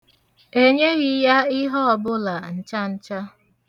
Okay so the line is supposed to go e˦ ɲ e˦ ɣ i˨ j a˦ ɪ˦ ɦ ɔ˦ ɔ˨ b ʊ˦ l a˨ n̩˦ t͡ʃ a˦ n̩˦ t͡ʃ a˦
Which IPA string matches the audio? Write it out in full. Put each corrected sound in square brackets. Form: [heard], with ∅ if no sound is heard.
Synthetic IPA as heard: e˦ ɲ e˦ ɣ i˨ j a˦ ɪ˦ ɦ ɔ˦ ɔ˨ b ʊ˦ l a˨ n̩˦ t͡ʃ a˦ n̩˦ t͡ʃ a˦